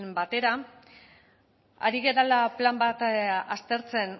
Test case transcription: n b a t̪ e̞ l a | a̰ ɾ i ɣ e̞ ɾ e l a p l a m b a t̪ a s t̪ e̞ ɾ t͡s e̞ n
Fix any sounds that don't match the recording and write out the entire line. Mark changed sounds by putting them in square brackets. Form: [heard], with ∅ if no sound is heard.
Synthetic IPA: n b a t̪ e̞ [ɾ] a | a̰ ɾ i ɣ e̞ ɾ [a] l a p l a m b a t̪ a s t̪ e̞ ɾ t͡s e̞ n

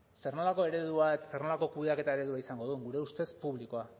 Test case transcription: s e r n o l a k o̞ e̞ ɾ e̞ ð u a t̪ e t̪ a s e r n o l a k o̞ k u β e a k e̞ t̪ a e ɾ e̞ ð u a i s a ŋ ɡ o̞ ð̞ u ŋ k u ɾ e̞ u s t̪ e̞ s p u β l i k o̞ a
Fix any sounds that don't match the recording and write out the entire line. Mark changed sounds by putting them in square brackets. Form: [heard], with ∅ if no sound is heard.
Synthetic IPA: s e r n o l a k o̞ e̞ ɾ e̞ ð u a [∅] e t̪ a s e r n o l a k o̞ k u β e a k e̞ t̪ a e ɾ e̞ ð u a i s a ŋ ɡ o̞ ð̞ u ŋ [ɡ] u ɾ e̞ u s t̪ e̞ s p u β l i k o̞ a

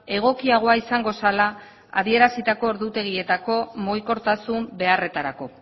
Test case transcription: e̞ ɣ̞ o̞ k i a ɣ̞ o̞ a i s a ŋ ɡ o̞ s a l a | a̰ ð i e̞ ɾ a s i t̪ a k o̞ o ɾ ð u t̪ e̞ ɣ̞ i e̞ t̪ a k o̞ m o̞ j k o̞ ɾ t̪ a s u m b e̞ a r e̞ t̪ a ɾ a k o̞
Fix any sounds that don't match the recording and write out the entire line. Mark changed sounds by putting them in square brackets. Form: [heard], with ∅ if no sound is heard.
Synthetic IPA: e̞ ɣ̞ o̞ k i a ɣ̞ o̞ a i s a ŋ ɡ o̞ s a l a | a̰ ð i e̞ ɾ a s i t̪ a k o̞ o ɾ ð u t̪ e̞ ɣ̞ i e̞ t̪ a k o̞ m o̞ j k o̞ ɾ t̪ a s u m b e̞ a r e̞ t̪ a ɾ a k o̞

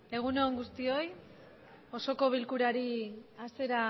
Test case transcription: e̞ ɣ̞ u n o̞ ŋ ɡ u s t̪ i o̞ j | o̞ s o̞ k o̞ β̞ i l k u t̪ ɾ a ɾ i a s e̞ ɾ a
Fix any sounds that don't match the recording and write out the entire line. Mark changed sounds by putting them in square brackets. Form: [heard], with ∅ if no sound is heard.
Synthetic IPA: e̞ ɣ̞ u n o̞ ŋ ɡ u s t̪ i o̞ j | o̞ s o̞ k o̞ β̞ i l k u [∅] ɾ a ɾ i a s e̞ ɾ a

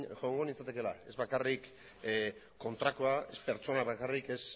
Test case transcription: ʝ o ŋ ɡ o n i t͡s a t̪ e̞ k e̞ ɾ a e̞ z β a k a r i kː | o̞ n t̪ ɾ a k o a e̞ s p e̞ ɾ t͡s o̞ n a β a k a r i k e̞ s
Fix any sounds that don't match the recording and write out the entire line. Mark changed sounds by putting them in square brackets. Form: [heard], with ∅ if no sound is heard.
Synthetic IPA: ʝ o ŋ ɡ o n i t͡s a t̪ e̞ k e̞ [l] a e̞ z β a k a r i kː | o̞ n t̪ ɾ a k o a e̞ s p e̞ ɾ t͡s o̞ n a β a k a r i k e̞ s

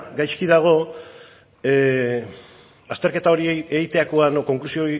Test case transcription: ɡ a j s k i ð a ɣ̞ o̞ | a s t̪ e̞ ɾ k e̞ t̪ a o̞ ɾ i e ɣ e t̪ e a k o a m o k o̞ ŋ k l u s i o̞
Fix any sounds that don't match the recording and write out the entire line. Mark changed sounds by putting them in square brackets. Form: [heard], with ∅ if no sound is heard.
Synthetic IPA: ɡ a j s k i ð a ɣ̞ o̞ | a s t̪ e̞ ɾ k e̞ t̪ a o̞ ɾ i e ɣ [i] t̪ e a k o a [n] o k o̞ ŋ k l u s i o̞

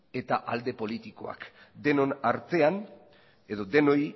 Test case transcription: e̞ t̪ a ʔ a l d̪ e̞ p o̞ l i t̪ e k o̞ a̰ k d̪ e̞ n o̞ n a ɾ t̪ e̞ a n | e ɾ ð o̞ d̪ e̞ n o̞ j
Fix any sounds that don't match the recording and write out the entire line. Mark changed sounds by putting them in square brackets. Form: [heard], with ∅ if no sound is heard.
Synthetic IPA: e̞ t̪ a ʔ a l d̪ e̞ p o̞ l i t̪ [i] k o̞ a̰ k d̪ e̞ n o̞ n a ɾ t̪ e̞ a n | e [∅] ð o̞ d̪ e̞ n o̞ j

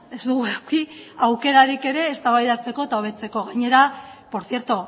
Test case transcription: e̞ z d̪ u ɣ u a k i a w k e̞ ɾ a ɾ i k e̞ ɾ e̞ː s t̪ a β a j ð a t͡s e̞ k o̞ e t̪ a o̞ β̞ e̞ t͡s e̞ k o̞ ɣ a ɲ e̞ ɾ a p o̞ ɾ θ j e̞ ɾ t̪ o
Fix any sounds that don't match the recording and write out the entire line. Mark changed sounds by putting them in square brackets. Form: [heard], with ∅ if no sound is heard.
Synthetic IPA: e̞ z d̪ u ɣ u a k i a w k e̞ ɾ a ɾ i k e̞ ɾ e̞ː s t̪ a β a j ð a t͡s e̞ k o̞ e t̪ a o̞ β̞ e̞ t͡s e̞ k o̞ ɣ a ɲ e̞ ɾ a p o̞ ɾ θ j e̞ ɾ t̪ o

